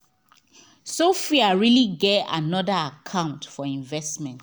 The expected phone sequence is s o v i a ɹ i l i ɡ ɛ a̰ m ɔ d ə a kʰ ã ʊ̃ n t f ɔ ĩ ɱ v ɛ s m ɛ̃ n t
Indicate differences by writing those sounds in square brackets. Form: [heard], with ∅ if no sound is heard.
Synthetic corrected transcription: s o [f] i a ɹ i l i ɡ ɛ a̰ [n] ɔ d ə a kʰ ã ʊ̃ n t f ɔ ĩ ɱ v ɛ s m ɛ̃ n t